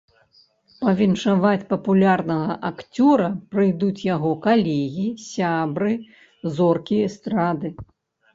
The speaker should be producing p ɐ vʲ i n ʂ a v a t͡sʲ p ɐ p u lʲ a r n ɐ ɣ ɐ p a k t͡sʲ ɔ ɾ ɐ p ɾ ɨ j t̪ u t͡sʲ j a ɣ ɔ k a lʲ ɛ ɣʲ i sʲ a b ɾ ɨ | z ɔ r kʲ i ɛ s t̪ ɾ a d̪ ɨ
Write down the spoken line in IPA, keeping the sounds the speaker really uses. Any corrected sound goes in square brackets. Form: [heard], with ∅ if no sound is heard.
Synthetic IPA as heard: p ɐ vʲ i n ʂ a v a t͡sʲ p ɐ p u lʲ a r n ɐ ɣ ɐ [ʔ] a k t͡sʲ ɔ ɾ ɐ p ɾ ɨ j [d̪] u t͡sʲ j a ɣ ɔ k a lʲ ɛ ɣʲ i sʲ a b ɾ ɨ | z ɔ r kʲ i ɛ s t̪ ɾ a d̪ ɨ